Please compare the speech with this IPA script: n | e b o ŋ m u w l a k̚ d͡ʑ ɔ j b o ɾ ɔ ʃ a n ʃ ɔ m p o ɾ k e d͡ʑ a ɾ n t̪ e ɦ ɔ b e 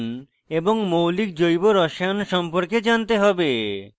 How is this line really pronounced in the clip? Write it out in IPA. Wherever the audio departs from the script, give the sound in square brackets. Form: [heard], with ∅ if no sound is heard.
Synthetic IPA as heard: n | e b o ŋ m [o] w l [i] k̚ d͡ʑ [o] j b o ɾ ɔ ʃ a n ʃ ɔ m p o ɾ k e d͡ʑ a [∅] n t̪ e ɦ ɔ b e